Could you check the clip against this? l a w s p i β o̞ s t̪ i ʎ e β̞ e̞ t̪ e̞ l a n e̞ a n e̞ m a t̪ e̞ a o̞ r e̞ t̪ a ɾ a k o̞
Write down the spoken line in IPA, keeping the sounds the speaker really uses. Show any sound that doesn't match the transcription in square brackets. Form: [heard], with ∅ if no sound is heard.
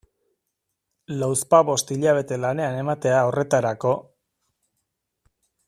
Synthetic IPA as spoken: l a w s p [a] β o̞ s t̪ i ʎ [a] β̞ e̞ t̪ e̞ l a n e̞ a n e̞ m a t̪ e̞ a o̞ r e̞ t̪ a ɾ a k o̞

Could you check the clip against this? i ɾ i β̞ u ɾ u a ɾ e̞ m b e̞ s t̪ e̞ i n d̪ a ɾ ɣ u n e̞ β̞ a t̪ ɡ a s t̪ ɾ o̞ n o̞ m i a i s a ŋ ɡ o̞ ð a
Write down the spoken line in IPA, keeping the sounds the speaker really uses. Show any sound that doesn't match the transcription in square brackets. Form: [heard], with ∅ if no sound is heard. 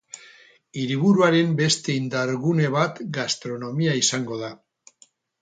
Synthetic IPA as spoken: i ɾ i β̞ u ɾ u a ɾ e̞ m b e̞ s t̪ e̞ i n d̪ a ɾ ɣ u n e̞ β̞ a t̪ ɡ a s t̪ ɾ o̞ n o̞ m i a i s a ŋ ɡ o̞ ð a

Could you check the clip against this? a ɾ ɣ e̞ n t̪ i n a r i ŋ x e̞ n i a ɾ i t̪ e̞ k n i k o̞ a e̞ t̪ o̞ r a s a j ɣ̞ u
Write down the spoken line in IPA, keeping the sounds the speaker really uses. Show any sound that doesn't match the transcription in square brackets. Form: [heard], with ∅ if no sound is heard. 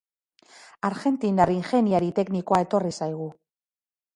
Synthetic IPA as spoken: a ɾ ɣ e̞ n t̪ i n a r i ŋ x e̞ n i a ɾ i t̪ e̞ k n i k o̞ a e̞ t̪ o̞ r [i] s a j ɣ̞ u

